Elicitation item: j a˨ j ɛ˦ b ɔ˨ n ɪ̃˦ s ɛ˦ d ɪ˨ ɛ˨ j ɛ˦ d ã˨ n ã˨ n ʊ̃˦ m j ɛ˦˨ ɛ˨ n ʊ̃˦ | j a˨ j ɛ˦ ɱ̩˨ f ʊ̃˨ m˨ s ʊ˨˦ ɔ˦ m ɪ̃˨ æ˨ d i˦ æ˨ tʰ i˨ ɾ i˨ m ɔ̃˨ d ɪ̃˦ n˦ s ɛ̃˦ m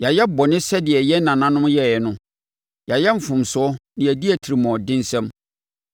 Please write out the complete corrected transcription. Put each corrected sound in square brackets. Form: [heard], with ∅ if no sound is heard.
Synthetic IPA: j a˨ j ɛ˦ b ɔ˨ n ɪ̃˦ s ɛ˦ d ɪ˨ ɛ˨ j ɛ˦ [n] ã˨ n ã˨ n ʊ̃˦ m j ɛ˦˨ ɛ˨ n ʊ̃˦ | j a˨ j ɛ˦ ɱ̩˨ f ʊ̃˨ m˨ s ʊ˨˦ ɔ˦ [n] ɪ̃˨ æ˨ d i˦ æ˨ tʰ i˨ ɾ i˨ m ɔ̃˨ d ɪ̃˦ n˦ s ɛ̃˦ m